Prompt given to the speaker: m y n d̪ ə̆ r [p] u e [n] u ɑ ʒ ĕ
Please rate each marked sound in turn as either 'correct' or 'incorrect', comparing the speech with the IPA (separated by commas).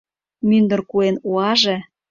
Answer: incorrect, correct